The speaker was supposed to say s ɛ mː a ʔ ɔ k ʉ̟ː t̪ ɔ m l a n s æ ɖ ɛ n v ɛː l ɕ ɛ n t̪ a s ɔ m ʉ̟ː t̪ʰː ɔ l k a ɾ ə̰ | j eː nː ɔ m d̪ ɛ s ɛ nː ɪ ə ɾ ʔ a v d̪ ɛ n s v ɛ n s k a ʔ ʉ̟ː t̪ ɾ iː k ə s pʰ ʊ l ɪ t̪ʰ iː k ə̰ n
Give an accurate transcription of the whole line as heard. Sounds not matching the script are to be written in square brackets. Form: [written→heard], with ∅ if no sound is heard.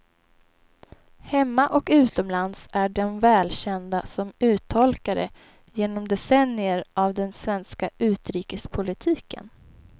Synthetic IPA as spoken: [s→h] ɛ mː a ʔ ɔ k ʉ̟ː t̪ ɔ m l a n s æ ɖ ɛ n v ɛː l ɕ ɛ n [t̪→d̪] a s ɔ m ʉ̟ː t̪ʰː ɔ l k a ɾ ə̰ | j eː [nː→n] ɔ m d̪ ɛ s ɛ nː ɪ ə ɾ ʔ a v d̪ ɛ n s v ɛ n s k a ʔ ʉ̟ː t̪ ɾ iː k ə s pʰ ʊ l ɪ t̪ʰ iː k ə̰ n